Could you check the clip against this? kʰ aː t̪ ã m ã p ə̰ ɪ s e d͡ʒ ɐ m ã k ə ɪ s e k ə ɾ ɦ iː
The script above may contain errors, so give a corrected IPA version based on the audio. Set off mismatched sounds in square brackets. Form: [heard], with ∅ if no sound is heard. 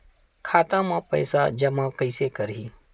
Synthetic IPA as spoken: kʰ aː t̪ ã m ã p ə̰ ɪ s [a] d͡ʒ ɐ m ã k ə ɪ s e k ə ɾ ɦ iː